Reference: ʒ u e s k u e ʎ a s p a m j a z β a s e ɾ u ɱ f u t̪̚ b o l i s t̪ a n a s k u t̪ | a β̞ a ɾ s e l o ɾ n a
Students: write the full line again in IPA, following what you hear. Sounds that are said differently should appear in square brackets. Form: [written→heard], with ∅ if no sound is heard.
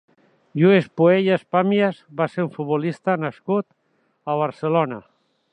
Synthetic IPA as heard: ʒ u e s [k→p] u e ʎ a s p a m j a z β a s e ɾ u ɱ f u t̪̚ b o l i s t̪ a n a s k u t̪ | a β̞ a ɾ s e l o [ɾ→∅] n a